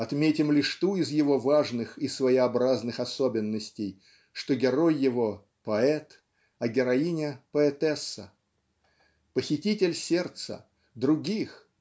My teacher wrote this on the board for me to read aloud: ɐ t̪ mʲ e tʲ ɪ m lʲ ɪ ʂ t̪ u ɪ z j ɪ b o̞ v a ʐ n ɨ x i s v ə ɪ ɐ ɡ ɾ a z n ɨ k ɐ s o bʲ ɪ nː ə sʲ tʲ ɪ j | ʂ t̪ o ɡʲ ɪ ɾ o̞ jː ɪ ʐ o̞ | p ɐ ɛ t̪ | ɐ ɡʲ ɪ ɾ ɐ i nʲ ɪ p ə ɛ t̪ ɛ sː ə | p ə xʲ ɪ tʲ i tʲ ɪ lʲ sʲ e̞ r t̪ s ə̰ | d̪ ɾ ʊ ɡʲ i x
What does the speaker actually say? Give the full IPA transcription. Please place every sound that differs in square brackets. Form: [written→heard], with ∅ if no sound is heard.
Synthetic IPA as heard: ɐ t̪ mʲ e tʲ ɪ m lʲ ɪ ʂ t̪ u ɪ z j ɪ [b→v] o̞ v a ʐ n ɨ x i s v ə ɪ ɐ [ɡ→b] ɾ a z n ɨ [k→x] ɐ s o bʲ ɪ nː ə sʲ tʲ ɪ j | ʂ t̪ o ɡʲ ɪ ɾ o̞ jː ɪ [ʐ→v] o̞ | p ɐ ɛ t̪ | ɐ ɡʲ ɪ ɾ ɐ i nʲ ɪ p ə ɛ t̪ ɛ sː ə | p ə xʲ ɪ tʲ i tʲ ɪ lʲ sʲ e̞ r t̪ s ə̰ | d̪ ɾ ʊ ɡʲ i x